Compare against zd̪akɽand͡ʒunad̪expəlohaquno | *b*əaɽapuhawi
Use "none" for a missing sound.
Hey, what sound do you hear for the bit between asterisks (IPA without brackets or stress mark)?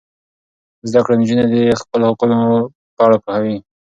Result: p